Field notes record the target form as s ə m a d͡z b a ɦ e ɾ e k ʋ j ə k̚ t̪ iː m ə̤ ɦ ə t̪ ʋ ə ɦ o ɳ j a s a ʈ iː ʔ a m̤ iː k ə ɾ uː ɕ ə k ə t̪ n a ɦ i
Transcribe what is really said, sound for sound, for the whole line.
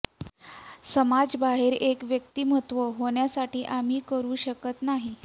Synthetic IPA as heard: s ə m a d͡z b a ɦ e ɾ e k ʋ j ə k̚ t̪ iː m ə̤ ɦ ə t̪ ʋ ə ɦ o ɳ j a s a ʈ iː ʔ a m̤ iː k ə ɾ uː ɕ ə k ə t̪ n a ɦ i

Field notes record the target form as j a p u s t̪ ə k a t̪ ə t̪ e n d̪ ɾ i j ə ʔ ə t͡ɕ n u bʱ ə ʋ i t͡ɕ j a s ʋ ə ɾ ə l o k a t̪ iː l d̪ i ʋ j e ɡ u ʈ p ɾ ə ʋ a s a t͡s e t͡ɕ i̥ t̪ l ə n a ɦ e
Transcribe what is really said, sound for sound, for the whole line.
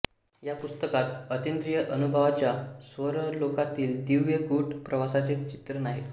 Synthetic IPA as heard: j a p u s t̪ ə k a t̪ ə t̪ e n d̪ ɾ i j ə ʔ ə n u bʱ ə ʋ a t͡ɕ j a s ʋ ə ɾ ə l o k a t̪ iː l d̪ i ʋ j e ɡ u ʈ p ɾ ə ʋ a s a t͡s e t͡ɕ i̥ t̪ ɾ ə n a ɦ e

